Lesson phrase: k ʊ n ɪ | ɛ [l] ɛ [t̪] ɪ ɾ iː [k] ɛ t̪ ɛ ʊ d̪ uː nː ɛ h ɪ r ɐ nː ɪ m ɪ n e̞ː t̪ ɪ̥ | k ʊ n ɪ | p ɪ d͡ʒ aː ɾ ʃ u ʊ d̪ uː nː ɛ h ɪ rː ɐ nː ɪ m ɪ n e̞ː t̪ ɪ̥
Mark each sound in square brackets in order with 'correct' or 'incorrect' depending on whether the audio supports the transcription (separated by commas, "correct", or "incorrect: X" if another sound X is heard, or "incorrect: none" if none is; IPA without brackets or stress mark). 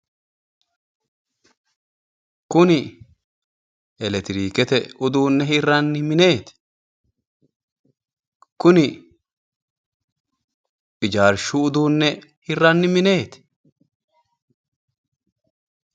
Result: correct, correct, correct